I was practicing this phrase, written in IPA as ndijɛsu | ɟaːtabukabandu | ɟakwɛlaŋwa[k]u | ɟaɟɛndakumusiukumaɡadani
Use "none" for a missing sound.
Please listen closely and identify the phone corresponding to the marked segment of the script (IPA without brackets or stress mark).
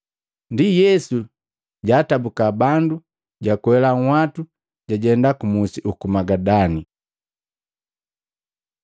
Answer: t